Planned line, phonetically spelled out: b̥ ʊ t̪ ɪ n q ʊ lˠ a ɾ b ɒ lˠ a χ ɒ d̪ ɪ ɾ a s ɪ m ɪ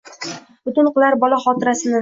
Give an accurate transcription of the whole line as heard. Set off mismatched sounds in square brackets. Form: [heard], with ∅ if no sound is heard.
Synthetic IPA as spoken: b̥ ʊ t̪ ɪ n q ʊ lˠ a ɾ b ɒ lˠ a χ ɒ [t̪] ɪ ɾ a s ɪ [n] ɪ